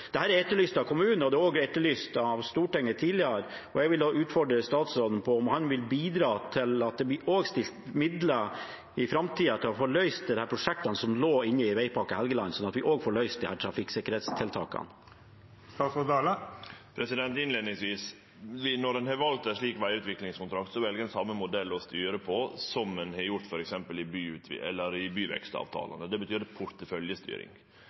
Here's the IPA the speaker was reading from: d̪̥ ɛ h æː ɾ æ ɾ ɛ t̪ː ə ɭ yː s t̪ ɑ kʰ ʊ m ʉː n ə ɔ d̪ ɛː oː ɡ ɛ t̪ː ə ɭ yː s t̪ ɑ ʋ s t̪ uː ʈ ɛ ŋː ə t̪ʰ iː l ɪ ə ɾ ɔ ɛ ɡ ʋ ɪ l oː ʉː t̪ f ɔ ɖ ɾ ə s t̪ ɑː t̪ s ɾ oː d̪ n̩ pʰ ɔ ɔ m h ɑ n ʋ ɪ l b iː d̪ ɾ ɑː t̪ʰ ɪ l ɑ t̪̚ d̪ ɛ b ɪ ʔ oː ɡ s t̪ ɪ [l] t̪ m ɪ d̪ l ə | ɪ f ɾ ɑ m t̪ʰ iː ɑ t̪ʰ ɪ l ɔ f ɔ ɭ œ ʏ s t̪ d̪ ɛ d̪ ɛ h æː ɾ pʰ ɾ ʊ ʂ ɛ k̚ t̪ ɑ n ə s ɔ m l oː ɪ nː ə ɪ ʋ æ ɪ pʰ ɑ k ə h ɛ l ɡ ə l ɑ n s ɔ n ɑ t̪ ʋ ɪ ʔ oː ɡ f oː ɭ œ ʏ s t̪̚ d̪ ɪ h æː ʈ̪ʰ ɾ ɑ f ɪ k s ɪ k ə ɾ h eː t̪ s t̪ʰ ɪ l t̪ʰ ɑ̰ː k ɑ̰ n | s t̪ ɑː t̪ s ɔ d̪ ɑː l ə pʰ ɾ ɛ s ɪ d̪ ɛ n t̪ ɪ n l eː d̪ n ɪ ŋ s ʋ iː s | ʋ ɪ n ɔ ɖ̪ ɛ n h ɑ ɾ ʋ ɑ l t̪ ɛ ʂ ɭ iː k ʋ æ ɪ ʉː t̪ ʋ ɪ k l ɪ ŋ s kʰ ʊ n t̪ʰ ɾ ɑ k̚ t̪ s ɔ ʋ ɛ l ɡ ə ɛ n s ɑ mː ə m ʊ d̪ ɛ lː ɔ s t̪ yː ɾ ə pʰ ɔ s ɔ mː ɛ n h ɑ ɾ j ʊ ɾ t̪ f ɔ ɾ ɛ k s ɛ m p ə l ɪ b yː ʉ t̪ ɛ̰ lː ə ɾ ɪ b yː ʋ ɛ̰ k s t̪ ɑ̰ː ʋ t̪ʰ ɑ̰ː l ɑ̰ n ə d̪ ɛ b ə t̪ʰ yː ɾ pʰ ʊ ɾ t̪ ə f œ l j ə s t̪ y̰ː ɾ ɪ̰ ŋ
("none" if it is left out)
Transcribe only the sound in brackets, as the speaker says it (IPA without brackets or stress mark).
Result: l